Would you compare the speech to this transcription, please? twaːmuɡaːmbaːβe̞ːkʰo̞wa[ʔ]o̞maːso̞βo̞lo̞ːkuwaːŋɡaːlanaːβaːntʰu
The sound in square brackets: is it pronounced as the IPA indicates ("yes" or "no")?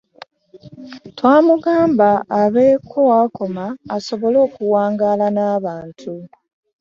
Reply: no